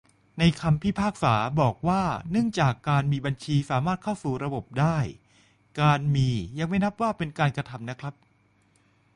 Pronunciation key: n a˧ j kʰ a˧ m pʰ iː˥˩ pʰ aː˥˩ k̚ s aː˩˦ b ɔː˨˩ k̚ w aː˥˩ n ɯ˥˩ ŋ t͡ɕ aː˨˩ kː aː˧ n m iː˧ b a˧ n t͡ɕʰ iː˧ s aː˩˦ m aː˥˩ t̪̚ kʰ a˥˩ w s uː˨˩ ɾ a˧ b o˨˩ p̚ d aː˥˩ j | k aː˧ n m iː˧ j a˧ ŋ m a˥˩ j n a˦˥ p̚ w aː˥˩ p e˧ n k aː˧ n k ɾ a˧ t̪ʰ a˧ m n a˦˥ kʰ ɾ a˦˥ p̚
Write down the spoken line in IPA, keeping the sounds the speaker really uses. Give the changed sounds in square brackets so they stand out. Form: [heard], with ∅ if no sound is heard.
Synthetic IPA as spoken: n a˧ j kʰ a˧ m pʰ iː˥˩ pʰ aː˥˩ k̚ s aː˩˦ b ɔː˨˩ k̚ w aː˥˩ n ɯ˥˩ ŋ t͡ɕ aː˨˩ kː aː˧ n m iː˧ b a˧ n t͡ɕʰ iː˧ s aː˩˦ m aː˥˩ t̪̚ kʰ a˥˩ w s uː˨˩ ɾ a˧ b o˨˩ p̚ d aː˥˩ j | k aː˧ n m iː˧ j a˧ ŋ m a˥˩ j n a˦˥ p̚ w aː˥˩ p e˧ n k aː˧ n k ɾ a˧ t̪ʰ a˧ m n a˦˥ kʰ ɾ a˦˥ p̚